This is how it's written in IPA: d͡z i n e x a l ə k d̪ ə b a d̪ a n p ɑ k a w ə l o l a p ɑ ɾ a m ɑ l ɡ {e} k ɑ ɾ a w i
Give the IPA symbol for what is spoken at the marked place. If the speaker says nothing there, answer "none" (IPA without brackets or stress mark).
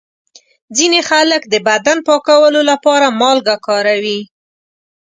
a